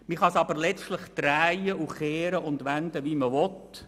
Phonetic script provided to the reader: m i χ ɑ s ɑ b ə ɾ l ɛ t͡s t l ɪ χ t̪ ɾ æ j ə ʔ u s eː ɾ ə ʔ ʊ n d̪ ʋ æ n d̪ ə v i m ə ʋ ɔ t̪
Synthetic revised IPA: m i χ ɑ s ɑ b ə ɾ l ɛ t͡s t l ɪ χ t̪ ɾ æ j ə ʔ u χ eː ɾ ə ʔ ʊ n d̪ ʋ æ n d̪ ə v i m ə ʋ ɔ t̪